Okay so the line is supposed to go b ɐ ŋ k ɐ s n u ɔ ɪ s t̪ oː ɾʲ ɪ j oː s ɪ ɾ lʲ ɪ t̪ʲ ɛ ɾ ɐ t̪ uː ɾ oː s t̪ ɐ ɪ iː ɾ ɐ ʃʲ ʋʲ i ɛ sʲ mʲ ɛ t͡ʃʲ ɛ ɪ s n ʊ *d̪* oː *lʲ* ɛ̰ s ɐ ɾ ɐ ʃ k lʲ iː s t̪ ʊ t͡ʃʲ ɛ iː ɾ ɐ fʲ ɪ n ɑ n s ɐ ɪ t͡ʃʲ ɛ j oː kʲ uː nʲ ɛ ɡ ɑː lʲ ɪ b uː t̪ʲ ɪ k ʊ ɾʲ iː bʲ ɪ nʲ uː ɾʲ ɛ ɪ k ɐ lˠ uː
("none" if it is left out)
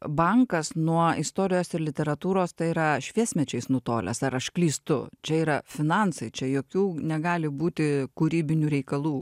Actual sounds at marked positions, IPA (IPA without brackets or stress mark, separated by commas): t̪, lʲ